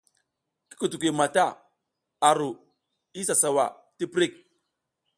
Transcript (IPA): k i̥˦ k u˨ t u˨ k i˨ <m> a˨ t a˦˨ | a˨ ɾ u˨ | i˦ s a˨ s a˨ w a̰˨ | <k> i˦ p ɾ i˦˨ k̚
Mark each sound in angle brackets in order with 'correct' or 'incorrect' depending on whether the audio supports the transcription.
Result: correct, incorrect: t

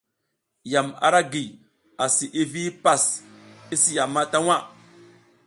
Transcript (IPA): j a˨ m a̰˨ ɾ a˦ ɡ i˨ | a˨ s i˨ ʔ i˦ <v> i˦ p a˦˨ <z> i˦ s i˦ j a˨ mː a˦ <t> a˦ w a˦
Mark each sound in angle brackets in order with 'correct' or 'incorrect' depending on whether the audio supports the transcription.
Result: correct, incorrect: s, correct

